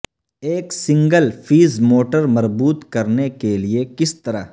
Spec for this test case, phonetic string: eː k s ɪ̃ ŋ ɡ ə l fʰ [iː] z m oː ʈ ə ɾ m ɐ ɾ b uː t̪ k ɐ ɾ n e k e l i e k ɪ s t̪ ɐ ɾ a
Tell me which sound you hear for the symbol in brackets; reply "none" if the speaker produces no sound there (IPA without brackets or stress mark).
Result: iː